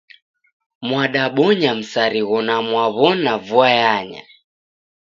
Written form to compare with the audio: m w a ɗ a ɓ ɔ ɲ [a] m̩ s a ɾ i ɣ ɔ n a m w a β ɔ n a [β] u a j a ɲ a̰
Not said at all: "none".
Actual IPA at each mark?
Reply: a, v

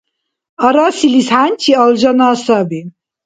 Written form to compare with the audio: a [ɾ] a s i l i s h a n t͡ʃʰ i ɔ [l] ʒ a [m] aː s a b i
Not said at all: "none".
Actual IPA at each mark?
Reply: ɾ, l, n

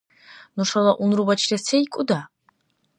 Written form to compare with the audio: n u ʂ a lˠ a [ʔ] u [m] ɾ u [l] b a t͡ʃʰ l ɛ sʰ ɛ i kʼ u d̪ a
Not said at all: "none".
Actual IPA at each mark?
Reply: ʔ, n, none

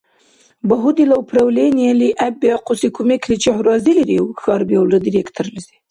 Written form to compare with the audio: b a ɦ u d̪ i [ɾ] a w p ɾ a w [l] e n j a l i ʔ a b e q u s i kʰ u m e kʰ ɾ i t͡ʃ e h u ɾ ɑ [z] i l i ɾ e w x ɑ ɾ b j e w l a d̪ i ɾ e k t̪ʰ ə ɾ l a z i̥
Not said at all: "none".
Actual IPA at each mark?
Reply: l, l, z

